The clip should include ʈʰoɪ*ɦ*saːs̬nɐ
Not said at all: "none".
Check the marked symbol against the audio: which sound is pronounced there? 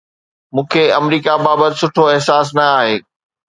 ɦ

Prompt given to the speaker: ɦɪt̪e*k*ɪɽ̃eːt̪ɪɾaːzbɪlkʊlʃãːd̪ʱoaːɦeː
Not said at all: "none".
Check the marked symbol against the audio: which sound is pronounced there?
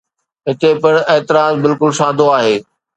p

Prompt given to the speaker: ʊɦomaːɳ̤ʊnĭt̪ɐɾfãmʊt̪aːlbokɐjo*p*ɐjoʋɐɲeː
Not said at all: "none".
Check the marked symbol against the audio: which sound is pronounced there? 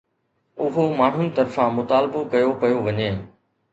k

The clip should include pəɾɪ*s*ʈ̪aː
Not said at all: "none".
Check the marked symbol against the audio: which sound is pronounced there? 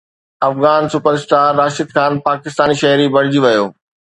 s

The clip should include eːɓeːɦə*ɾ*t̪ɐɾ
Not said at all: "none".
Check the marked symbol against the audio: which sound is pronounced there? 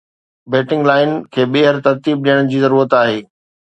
ɾ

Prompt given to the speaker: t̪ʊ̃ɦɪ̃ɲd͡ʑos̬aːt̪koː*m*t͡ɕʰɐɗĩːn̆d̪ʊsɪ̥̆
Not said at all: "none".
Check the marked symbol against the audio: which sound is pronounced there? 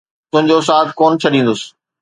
n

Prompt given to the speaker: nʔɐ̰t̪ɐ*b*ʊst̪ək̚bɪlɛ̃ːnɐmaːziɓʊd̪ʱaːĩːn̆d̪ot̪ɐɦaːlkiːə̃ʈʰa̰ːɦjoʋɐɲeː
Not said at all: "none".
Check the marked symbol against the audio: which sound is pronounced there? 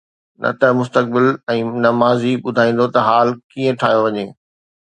m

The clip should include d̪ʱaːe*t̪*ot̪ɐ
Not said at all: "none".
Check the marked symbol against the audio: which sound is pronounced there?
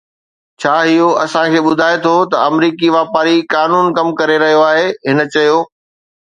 t̪ʰ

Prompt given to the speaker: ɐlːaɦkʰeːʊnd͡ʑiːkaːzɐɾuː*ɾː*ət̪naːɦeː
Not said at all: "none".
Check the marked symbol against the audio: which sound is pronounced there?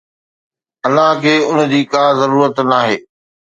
ɾ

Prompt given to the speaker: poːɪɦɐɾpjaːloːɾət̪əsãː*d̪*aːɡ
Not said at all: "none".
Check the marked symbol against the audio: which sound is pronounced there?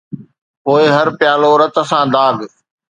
d̪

